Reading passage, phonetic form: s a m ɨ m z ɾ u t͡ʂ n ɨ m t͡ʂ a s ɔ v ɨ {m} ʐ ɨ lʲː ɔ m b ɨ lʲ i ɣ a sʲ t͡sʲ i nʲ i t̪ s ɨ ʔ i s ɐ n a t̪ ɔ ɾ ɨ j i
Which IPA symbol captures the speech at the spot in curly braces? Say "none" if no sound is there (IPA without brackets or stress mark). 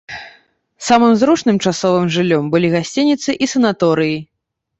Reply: m